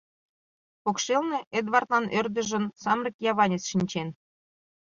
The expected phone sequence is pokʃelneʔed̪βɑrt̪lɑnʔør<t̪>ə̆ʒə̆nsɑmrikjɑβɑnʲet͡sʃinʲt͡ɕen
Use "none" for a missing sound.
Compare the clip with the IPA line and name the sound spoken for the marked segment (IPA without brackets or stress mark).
d̪